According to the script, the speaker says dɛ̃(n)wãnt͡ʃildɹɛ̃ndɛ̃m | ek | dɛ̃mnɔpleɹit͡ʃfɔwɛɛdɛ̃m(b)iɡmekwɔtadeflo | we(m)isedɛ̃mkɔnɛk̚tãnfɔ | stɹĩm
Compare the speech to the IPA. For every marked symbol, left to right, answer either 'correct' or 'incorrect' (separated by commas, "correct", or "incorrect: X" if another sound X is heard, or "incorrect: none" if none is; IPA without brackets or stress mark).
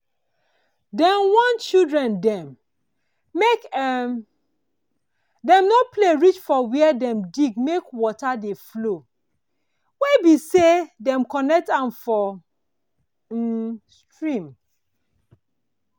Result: correct, incorrect: d, incorrect: b